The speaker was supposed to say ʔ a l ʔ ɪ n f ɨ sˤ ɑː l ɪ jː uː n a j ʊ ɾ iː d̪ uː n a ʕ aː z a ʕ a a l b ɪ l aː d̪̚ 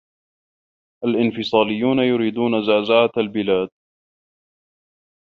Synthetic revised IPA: ʔ a l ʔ ɪ n f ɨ sˤ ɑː l ɪ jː uː n a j ʊ ɾ iː d̪ uː n a z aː z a ʕ a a l b ɪ l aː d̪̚